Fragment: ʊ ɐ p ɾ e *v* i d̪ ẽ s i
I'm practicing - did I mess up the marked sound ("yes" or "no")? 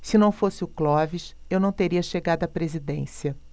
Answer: yes